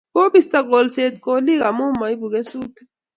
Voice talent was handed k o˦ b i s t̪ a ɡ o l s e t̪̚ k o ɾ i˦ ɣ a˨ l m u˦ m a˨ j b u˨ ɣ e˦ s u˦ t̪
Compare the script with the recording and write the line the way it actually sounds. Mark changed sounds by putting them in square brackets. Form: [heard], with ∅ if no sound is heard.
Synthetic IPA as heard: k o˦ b i s t̪ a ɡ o l s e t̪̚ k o [l] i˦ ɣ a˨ [∅] m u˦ m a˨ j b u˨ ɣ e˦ s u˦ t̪